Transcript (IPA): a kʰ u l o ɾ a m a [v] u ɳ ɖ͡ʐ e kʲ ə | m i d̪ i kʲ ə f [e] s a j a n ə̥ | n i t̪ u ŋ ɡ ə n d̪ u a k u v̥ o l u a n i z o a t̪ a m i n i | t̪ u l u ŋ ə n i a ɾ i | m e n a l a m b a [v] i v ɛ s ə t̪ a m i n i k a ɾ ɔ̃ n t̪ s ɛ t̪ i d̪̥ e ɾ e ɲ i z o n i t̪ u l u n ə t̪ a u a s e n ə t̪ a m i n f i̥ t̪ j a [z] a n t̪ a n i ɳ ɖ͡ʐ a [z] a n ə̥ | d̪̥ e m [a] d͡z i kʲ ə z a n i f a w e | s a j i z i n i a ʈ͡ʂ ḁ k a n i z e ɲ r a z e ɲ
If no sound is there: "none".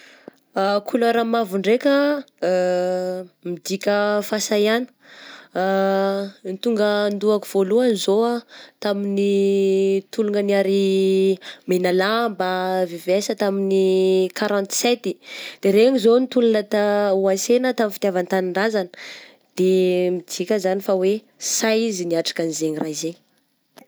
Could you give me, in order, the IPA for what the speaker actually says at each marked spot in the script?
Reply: v, a, v, v, z, i

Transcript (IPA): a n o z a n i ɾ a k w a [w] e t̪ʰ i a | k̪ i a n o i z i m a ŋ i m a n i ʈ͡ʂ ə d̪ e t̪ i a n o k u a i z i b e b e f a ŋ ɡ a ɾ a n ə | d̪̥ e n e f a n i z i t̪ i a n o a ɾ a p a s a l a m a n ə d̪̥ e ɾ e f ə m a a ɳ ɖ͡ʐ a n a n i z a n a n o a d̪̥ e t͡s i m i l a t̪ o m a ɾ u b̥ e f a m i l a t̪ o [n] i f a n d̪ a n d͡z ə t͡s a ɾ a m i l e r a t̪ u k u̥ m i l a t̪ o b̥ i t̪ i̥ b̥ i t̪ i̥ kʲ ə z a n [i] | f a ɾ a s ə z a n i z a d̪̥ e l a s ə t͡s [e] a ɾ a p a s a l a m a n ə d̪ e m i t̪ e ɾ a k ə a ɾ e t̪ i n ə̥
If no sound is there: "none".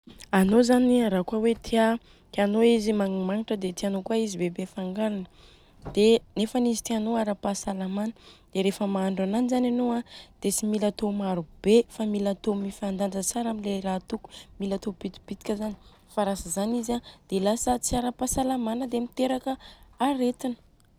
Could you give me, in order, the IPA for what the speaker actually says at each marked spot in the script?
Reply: w, m, i, i

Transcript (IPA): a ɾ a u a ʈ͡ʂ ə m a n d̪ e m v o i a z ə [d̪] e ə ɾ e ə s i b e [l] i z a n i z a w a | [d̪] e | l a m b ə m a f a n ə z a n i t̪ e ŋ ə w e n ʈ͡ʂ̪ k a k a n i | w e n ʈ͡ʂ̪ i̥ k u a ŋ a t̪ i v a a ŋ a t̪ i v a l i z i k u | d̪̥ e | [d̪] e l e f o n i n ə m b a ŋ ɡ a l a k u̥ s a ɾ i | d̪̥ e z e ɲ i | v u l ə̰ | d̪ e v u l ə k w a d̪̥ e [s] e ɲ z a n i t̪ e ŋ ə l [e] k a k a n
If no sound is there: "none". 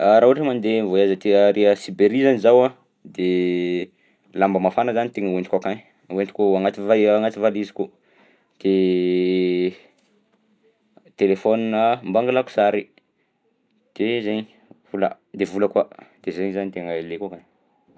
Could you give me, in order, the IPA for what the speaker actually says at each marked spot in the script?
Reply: t̪, ɾ, d̪, t̪, z, e

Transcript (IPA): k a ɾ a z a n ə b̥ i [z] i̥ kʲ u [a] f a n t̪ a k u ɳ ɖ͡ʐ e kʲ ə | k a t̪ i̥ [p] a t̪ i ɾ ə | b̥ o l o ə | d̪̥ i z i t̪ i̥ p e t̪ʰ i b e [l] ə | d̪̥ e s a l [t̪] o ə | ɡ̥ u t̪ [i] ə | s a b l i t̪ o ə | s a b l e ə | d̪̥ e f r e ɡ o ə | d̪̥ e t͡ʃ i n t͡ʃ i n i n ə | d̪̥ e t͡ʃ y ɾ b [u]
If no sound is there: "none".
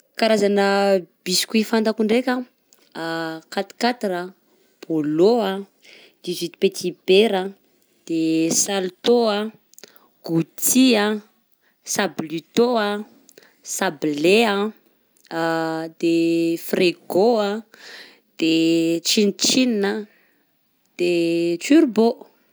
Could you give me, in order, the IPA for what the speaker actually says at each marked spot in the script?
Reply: s, i, k, ɾ, t̪, i, o

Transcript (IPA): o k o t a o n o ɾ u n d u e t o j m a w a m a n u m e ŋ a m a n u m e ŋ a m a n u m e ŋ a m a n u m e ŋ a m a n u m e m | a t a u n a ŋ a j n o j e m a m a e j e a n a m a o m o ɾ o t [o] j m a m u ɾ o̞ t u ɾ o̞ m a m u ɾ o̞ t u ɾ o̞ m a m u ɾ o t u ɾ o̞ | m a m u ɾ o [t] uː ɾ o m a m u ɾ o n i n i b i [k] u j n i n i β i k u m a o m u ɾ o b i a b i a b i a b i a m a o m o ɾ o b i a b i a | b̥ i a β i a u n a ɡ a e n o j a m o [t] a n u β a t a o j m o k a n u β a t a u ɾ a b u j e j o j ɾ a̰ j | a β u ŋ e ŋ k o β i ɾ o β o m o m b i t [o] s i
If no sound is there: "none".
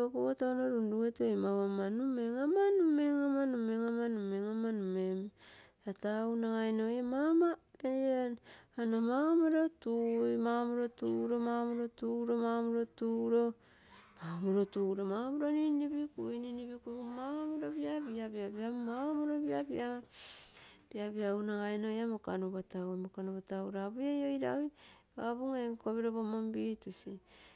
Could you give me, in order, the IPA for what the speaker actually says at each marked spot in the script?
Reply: u, t, k, k, u

